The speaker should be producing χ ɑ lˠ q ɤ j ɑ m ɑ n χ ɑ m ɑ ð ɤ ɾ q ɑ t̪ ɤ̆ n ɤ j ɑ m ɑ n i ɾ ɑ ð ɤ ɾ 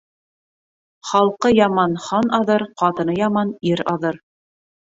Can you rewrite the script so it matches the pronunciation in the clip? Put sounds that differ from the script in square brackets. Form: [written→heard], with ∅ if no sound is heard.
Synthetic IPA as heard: χ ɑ lˠ q ɤ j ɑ m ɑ n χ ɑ [m→n] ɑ ð ɤ ɾ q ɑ t̪ ɤ̆ n ɤ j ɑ m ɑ n i ɾ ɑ ð ɤ ɾ